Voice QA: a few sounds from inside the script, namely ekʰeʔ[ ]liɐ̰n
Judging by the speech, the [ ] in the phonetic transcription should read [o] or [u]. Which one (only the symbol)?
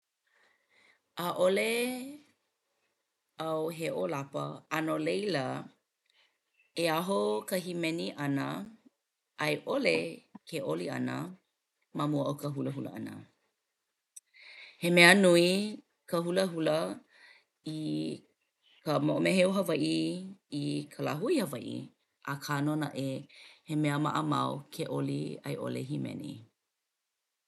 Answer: o